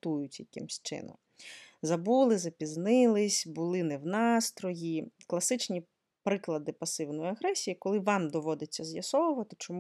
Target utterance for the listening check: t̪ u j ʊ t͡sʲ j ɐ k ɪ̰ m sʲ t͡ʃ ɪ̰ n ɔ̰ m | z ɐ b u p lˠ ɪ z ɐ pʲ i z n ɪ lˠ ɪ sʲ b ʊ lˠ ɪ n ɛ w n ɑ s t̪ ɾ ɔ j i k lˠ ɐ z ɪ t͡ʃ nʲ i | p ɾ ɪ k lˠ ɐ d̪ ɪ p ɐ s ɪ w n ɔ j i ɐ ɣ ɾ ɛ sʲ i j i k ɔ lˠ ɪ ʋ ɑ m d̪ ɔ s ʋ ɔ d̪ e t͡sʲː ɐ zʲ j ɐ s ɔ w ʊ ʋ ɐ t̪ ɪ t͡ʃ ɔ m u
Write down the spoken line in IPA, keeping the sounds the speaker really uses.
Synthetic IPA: t̪ u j ʊ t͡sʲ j ɐ k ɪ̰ m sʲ t͡ʃ ɪ̰ n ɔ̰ m | z ɐ b u lˠ ɪ z ɐ pʲ i z n ɪ lˠ ɪ sʲ b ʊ lˠ ɪ n ɛ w n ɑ s t̪ ɾ ɔ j i k lˠ ɐ s ɪ t͡ʃ nʲ i | p ɾ ɪ k lˠ ɐ d̪ ɪ p ɐ s ɪ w n ɔ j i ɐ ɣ ɾ ɛ sʲ i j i k ɔ lˠ ɪ ʋ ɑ m d̪ ɔ ʋ ɔ d̪ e t͡sʲː ɐ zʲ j ɐ s ɔ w ʊ ʋ ɐ t̪ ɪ t͡ʃ ɔ m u